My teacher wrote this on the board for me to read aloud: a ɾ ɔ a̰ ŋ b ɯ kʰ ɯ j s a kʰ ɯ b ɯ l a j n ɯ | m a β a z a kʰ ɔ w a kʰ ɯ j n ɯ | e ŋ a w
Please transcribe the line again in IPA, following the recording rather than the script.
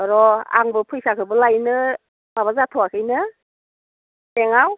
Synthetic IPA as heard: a ɾ ɔ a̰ ŋ b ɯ pʰ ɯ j s a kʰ ɯ b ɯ l a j n ɯ | m a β a z a tʰ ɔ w a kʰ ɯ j n ɯ | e ŋ a w